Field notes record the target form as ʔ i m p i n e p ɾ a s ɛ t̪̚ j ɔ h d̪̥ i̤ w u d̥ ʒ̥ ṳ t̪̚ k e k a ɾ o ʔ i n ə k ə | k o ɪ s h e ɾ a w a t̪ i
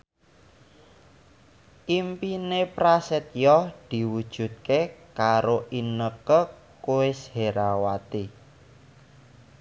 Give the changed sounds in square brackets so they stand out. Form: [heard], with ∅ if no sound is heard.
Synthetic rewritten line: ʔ i m p i n e p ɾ a s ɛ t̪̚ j ɔ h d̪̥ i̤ w u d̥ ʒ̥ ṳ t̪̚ k e k a ɾ o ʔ i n ə k ə | k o ɪ s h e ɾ a w a t̪ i